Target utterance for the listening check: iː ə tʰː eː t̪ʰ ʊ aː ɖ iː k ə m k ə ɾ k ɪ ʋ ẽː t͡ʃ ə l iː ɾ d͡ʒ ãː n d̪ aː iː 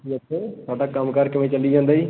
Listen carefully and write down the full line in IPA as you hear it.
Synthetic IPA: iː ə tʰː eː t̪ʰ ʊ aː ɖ aː k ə m k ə ɾ k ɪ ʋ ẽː t͡ʃ ə l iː d͡ʒ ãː n d̪ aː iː